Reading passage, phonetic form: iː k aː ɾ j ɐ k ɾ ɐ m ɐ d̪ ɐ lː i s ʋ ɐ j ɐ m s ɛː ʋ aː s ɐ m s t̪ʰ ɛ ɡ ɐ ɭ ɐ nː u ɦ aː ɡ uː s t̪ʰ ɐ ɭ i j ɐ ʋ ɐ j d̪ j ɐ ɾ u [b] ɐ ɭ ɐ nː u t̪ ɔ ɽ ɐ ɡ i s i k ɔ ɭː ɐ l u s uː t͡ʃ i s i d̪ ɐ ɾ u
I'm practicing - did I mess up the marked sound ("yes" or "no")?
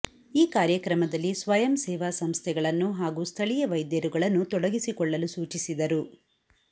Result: yes